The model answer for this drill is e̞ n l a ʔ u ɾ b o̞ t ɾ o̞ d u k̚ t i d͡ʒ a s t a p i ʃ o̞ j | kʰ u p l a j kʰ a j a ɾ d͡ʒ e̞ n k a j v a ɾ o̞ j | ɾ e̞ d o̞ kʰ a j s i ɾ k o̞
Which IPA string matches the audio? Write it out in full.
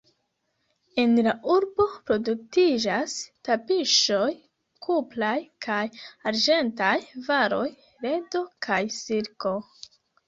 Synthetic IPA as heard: e̞ n l a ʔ u ɾ b o̞ p ɾ o̞ d u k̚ t i d͡ʒ a s t a p i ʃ o̞ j | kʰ u p l a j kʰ a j a ɾ d͡ʒ e̞ n t a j v a ɾ o̞ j | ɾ e̞ d o̞ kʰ a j s i ɾ k o̞